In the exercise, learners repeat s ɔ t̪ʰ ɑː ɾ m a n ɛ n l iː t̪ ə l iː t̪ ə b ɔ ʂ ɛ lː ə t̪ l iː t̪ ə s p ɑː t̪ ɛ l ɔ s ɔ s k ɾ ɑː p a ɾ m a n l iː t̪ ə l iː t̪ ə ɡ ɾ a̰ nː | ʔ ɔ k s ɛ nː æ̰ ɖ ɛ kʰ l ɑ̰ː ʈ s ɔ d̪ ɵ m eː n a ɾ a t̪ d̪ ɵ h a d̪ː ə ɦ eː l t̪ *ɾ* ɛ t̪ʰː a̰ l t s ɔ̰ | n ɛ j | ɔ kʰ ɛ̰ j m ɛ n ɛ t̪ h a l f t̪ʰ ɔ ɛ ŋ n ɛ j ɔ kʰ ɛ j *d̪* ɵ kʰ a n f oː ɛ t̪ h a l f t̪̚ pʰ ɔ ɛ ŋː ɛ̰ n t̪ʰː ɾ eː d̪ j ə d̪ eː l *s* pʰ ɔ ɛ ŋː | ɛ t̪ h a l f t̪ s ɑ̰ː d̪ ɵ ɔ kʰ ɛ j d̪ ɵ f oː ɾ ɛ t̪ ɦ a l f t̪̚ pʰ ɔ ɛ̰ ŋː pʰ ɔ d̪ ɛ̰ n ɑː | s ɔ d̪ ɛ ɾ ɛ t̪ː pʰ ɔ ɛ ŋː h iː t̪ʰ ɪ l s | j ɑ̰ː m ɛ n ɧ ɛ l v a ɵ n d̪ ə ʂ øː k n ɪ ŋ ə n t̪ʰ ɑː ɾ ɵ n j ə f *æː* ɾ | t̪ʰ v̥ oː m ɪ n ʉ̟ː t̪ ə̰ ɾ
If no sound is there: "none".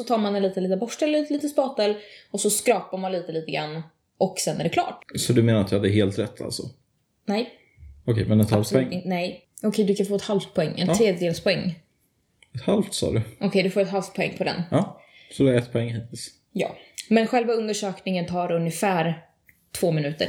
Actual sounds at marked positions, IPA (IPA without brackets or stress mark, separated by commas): ɾ, d̪, s, æː